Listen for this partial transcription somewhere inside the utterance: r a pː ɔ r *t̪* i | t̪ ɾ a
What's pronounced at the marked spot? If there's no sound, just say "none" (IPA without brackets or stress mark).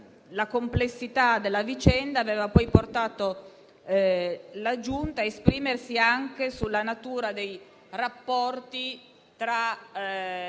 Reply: t̪